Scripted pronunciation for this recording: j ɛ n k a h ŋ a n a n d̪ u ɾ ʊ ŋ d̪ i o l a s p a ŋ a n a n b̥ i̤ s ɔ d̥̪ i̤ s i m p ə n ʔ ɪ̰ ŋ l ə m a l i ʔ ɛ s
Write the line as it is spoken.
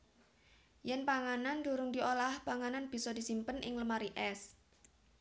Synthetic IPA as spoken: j ɛ n p a ŋ a n a n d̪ u ɾ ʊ ŋ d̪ i o l a h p a ŋ a n a n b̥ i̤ s ɔ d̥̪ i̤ s i m p ə n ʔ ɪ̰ ŋ l ə m a ɾ i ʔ ɛ s